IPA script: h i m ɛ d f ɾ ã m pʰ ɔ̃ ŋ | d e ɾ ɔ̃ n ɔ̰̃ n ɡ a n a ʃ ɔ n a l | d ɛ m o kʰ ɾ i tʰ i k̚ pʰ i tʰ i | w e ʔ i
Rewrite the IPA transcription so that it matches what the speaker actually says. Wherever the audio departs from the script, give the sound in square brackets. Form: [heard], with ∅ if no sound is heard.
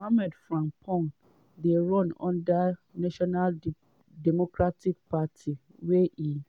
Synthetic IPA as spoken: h [a] m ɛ d f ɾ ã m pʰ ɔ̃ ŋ | d e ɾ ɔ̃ n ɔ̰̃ n [d] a n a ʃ ɔ n a l | d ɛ m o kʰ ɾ [a] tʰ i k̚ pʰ [a] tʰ i | w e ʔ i